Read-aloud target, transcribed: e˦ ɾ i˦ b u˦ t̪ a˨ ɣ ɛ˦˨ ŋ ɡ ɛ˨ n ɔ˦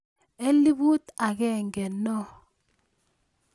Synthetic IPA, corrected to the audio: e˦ l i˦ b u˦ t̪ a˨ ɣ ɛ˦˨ ŋ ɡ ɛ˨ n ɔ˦